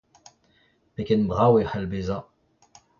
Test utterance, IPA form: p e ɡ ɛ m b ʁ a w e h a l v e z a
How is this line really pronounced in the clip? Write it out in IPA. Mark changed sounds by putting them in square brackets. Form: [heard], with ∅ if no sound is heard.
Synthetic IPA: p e [k] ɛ [n] b ʁ a w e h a l [b] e z a